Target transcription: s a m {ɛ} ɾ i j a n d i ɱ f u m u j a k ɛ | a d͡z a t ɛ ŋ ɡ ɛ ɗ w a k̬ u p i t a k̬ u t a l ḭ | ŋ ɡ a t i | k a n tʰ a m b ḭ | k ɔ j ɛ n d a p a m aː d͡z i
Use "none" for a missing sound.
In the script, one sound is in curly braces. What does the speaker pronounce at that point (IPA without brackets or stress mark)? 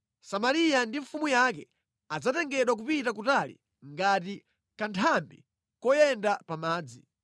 a